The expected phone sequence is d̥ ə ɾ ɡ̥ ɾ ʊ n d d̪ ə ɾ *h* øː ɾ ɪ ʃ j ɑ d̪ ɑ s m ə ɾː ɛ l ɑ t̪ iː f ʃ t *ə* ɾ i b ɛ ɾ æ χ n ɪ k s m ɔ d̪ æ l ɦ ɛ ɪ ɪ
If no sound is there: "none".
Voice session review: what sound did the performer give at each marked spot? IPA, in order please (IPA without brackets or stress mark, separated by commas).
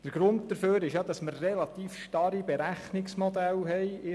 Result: f, ɑ